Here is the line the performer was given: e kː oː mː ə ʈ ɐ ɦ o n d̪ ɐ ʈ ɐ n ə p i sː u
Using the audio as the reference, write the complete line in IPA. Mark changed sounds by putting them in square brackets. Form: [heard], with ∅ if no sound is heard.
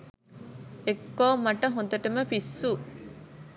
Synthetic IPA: e kː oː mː [ɐ] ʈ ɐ ɦ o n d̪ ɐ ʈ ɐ [m] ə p i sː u

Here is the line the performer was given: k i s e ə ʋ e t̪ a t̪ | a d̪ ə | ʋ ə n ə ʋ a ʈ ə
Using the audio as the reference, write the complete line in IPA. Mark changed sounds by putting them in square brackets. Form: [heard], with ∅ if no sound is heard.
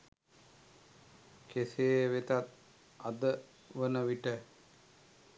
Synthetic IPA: k [e] s e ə ʋ e t̪ a t̪ | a d̪ ə | ʋ ə n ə ʋ [i] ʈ ə

